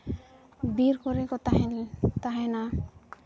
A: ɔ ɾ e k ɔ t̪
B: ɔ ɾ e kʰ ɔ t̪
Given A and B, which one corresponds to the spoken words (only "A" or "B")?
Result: A